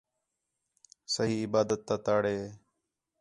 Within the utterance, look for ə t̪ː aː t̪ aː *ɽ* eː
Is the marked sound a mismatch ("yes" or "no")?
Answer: no